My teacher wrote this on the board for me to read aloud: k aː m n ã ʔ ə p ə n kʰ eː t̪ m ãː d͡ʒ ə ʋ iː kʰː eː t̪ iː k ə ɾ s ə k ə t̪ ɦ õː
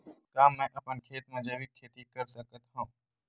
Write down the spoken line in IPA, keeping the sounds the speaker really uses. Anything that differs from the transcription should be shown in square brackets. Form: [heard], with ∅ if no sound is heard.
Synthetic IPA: k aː m n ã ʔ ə p ə n kʰ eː t̪ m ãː d͡ʒ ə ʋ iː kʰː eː t̪ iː k ə ɾ s ə k ə t̪ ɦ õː